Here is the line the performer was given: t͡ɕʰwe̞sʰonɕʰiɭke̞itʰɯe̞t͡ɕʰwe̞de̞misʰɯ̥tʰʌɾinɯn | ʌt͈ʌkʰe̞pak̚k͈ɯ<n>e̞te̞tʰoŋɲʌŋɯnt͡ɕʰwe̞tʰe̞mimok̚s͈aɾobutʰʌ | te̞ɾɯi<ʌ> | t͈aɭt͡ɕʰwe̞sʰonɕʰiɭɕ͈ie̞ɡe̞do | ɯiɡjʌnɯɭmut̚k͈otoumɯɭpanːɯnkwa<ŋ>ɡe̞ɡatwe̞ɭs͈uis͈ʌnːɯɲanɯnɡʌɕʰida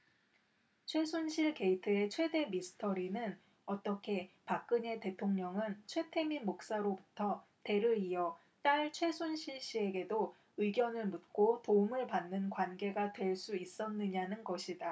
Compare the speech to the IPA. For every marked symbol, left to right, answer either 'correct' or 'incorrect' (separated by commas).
incorrect, correct, incorrect